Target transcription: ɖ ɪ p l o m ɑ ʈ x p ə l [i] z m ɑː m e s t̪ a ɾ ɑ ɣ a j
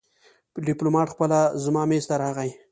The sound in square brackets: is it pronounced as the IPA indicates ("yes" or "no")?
no